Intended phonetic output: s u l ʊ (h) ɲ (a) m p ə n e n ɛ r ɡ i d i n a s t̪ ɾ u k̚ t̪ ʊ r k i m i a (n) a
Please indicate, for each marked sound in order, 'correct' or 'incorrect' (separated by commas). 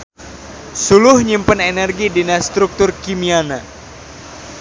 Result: correct, incorrect, correct